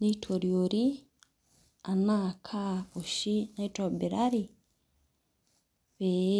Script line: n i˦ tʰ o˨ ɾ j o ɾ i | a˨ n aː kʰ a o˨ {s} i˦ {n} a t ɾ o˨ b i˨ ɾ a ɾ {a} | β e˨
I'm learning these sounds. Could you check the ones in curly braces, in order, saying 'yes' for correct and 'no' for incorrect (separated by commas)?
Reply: no, yes, no